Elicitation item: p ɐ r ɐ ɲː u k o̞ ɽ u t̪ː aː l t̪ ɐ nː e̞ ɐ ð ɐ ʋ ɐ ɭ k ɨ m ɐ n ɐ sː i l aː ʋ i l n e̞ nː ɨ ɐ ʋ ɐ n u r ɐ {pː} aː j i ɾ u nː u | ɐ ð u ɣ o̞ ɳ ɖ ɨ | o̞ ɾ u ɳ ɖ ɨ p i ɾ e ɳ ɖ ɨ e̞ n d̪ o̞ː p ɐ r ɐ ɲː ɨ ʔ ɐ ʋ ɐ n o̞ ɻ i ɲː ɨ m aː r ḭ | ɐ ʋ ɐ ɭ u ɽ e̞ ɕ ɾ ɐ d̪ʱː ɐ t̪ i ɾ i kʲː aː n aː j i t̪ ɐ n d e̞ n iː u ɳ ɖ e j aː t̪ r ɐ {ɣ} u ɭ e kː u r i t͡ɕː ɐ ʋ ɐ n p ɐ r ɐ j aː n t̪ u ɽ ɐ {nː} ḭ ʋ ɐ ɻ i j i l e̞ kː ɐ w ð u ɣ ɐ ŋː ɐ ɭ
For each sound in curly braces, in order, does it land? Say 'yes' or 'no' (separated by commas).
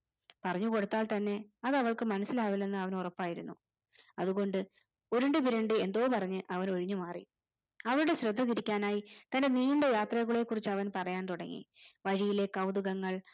yes, yes, no